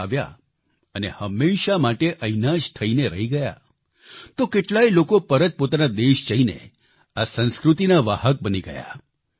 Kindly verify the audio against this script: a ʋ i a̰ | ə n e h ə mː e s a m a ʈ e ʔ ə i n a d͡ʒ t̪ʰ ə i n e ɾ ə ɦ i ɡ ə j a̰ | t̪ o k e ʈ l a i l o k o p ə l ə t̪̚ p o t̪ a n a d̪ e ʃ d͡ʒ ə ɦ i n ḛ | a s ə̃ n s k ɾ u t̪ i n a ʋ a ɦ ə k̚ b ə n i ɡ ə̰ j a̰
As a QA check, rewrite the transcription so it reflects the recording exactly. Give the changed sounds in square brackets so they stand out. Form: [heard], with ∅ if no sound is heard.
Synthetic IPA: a ʋ [j] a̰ | ə n e h ə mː e [ʃ] a m a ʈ e ʔ ə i n a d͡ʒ t̪ʰ ə i n e ɾ ə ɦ i ɡ ə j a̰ | t̪ o k e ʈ l a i l o k o p ə [ɾ] ə t̪̚ p o t̪ a n a d̪ e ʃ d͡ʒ ə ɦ i n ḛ | a s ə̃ n s k ɾ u t̪ i n a ʋ a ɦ ə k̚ b ə n i ɡ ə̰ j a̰